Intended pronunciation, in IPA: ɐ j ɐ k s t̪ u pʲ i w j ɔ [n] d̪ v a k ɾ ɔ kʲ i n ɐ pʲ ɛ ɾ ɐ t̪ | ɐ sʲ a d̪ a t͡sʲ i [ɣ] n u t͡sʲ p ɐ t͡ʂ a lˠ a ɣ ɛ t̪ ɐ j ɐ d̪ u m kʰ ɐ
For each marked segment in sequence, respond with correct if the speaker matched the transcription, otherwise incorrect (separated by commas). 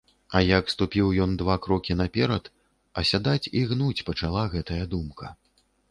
correct, correct